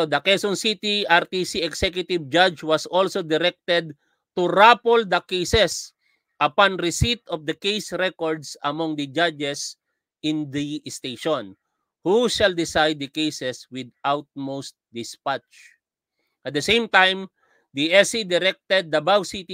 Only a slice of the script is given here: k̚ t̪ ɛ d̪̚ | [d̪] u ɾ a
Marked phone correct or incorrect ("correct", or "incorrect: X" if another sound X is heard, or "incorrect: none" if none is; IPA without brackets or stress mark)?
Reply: incorrect: t̪